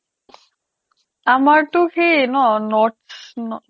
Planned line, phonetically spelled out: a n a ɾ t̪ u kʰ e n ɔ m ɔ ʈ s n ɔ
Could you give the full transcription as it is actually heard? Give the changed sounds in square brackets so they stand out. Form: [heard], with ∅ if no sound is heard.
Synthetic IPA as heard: a [m] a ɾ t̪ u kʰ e n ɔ [n] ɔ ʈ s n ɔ